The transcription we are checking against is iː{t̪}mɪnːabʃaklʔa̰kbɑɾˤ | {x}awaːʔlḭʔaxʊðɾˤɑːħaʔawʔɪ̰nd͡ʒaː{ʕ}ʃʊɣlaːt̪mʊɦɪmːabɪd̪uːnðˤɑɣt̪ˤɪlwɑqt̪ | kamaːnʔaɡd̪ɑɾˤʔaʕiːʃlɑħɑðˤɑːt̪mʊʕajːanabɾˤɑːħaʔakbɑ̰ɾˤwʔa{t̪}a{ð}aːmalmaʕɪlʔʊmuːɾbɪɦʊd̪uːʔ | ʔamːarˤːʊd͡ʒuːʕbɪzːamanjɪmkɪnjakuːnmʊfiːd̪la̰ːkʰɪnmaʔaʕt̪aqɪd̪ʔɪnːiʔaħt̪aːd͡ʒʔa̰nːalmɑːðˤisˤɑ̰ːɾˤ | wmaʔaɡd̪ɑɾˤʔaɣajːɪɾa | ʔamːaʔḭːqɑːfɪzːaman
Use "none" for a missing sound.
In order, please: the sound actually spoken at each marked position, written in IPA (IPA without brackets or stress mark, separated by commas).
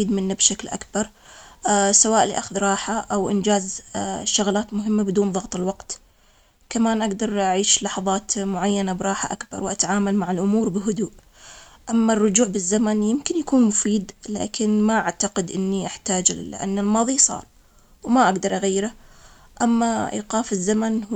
d̪, s, z, t̪, ʕ